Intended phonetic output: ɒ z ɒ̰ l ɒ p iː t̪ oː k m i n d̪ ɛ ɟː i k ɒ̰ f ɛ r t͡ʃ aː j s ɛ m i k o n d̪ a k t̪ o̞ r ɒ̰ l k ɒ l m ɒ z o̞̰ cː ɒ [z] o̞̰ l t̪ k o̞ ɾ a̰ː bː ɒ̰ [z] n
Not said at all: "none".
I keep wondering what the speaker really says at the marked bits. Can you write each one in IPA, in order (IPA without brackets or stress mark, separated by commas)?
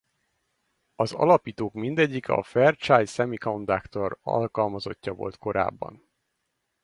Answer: v, none